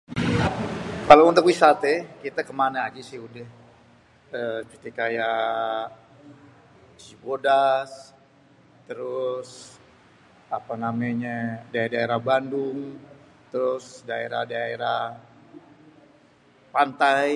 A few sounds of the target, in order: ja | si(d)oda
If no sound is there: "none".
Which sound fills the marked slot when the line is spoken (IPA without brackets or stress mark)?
b